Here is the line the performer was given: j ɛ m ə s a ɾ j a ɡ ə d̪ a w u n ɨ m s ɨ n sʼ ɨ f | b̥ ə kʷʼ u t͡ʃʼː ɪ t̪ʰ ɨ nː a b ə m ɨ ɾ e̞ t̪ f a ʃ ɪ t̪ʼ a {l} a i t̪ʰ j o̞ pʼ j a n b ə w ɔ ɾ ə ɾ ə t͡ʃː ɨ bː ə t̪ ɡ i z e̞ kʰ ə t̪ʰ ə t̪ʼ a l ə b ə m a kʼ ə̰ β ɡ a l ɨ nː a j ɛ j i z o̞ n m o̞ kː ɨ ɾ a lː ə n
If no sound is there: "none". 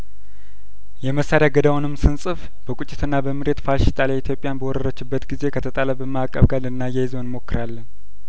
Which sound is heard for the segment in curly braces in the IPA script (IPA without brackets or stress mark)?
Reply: l